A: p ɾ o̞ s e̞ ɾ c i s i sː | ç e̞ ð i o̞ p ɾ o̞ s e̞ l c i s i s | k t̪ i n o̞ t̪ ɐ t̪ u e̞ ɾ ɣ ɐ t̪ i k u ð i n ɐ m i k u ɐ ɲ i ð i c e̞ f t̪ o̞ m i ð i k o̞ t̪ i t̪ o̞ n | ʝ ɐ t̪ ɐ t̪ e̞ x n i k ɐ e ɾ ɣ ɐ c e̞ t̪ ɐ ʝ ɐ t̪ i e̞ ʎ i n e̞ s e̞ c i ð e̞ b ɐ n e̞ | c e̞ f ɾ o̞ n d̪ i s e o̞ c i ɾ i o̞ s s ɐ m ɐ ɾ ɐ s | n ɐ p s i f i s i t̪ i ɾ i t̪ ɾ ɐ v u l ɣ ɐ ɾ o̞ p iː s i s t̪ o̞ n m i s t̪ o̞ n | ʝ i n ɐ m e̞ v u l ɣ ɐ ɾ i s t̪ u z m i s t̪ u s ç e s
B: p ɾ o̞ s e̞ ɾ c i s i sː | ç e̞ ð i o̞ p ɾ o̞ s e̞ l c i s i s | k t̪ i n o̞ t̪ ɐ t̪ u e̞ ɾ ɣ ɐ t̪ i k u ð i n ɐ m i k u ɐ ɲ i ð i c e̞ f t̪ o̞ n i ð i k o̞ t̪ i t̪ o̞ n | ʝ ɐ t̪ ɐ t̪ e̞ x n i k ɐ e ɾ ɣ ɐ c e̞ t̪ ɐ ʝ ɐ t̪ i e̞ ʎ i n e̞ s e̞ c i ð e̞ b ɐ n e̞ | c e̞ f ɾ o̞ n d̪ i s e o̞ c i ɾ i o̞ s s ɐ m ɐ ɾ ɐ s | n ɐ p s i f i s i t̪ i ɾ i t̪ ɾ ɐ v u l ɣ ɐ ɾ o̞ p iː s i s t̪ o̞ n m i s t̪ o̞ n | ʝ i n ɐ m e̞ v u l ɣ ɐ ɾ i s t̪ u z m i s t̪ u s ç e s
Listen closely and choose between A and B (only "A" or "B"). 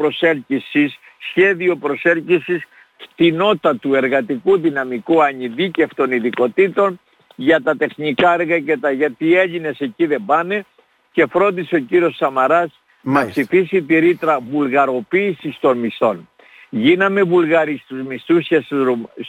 B